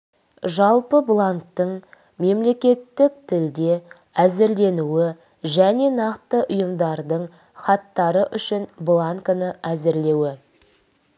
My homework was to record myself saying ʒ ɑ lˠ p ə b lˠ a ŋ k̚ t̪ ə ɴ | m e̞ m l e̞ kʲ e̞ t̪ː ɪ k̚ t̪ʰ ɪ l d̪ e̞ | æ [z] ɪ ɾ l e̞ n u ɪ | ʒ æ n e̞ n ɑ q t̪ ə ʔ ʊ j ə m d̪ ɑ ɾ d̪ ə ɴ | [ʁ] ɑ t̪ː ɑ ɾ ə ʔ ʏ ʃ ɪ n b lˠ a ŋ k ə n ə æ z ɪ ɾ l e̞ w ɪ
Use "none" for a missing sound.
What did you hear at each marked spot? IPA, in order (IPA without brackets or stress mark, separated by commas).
z, χ